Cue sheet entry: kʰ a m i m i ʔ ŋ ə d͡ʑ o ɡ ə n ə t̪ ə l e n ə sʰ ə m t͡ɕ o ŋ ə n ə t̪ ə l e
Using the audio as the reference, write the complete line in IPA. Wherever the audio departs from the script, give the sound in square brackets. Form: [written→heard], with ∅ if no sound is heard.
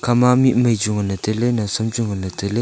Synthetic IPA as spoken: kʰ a m [i→a] m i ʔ [ŋ→m] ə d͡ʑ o [ɡ→ŋ] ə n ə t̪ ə l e n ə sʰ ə m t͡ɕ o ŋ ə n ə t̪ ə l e